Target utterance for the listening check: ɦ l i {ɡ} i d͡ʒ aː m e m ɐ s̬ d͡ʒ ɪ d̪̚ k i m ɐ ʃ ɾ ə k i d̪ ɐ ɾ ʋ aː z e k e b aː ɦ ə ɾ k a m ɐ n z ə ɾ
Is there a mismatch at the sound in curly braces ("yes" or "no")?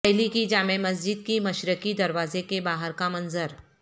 yes